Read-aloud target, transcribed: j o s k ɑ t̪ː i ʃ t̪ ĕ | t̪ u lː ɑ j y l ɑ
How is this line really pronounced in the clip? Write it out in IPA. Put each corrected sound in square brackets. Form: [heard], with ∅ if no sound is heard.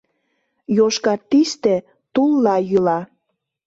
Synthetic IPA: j o [ʃ] k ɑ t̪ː i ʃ t̪ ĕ | t̪ u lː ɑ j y l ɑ